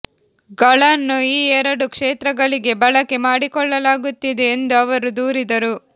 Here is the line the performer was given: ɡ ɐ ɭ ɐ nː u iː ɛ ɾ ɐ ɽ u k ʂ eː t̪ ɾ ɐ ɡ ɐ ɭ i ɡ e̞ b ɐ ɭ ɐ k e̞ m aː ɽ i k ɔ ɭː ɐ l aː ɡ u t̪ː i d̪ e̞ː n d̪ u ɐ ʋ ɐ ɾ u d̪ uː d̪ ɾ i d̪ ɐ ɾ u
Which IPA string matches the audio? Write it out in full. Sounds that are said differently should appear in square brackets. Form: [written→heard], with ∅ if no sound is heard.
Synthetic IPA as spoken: ɡ ɐ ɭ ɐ nː u iː ɛ ɾ ɐ ɽ u k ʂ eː t̪ ɾ ɐ ɡ ɐ ɭ i ɡ e̞ b ɐ ɭ ɐ k e̞ m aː ɽ i k ɔ ɭː ɐ l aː ɡ u t̪ː i d̪ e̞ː n d̪ u ɐ ʋ ɐ ɾ u d̪ uː [d̪→∅] ɾ i d̪ ɐ ɾ u